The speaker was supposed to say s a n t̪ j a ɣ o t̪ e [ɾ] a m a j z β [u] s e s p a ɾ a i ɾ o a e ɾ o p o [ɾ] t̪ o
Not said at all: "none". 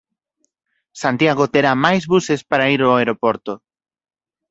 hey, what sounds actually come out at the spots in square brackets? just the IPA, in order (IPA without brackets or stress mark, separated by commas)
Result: ɾ, u, ɾ